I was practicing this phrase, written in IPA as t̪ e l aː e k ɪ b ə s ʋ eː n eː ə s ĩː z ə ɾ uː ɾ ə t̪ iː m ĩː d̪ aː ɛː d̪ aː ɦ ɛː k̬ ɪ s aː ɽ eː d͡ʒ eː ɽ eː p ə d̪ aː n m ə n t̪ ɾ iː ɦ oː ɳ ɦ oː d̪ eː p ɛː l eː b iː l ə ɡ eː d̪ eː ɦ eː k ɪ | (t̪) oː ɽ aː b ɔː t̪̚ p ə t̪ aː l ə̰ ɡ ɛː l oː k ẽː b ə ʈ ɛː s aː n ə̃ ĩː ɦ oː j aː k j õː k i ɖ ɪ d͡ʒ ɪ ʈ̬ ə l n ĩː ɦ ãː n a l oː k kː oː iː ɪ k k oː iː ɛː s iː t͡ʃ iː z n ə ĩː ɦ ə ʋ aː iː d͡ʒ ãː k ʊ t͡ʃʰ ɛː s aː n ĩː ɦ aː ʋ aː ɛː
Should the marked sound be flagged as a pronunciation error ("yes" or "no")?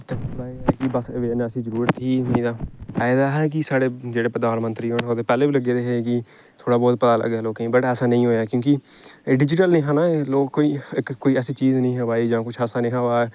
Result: yes